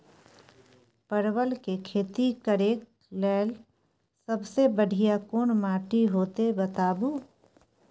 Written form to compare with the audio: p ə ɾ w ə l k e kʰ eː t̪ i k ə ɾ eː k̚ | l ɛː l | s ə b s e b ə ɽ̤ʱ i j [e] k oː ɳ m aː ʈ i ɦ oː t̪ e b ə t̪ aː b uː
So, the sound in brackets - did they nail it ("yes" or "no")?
no